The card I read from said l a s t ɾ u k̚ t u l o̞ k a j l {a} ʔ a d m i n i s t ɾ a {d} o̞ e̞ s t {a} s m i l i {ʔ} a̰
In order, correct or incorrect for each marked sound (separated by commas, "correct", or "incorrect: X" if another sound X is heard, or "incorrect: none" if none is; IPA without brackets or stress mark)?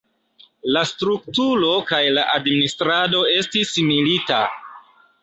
correct, correct, incorrect: i, incorrect: t